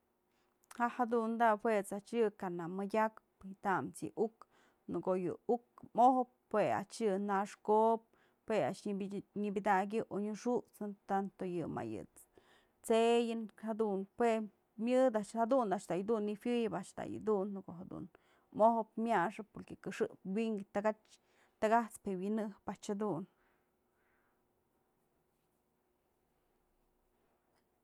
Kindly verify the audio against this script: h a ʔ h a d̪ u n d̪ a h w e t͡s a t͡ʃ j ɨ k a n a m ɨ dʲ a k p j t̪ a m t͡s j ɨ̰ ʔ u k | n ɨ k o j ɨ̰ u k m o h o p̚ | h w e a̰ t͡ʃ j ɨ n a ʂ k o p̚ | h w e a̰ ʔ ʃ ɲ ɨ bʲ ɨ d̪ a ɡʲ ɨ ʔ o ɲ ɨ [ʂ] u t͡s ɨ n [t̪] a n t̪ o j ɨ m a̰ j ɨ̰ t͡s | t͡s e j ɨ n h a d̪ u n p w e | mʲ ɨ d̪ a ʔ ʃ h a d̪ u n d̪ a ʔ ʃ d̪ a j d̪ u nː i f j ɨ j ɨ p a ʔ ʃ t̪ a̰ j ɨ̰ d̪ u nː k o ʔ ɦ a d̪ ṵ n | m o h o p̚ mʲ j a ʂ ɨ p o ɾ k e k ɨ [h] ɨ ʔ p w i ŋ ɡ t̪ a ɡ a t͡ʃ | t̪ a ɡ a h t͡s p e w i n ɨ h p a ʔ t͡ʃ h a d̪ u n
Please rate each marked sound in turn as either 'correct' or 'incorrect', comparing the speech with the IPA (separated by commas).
correct, correct, incorrect